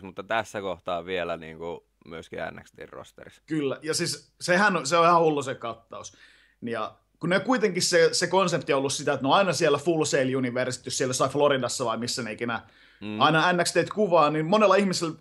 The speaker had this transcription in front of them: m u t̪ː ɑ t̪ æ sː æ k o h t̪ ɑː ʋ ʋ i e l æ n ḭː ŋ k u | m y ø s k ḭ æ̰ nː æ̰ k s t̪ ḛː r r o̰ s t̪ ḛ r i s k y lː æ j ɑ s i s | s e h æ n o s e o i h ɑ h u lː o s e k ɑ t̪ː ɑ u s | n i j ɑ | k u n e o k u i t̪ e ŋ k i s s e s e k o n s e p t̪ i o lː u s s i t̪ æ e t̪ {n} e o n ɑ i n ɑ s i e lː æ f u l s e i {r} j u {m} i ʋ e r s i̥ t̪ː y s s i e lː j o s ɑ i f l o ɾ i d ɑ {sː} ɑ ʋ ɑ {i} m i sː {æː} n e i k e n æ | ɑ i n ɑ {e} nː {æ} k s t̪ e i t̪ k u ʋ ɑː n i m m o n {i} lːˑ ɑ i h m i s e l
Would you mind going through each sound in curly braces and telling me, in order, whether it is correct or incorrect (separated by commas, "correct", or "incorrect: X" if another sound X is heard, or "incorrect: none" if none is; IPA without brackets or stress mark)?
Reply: correct, incorrect: l, incorrect: n, correct, correct, incorrect: æ, incorrect: æ, correct, incorrect: e